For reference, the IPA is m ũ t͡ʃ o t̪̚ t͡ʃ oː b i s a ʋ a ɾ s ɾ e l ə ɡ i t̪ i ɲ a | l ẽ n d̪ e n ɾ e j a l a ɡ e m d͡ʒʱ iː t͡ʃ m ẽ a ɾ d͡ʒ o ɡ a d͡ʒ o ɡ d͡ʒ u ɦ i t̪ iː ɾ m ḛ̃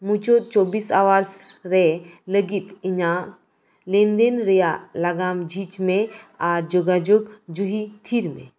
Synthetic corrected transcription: m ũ t͡ʃ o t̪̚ t͡ʃ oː b i s a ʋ a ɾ s ɾ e l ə ɡ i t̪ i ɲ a | l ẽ n d̪ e n ɾ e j a l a ɡ a m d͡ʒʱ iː t͡ʃ m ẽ a ɾ d͡ʒ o ɡ a d͡ʒ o ɡ d͡ʒ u ɦ i t̪ʰ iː ɾ m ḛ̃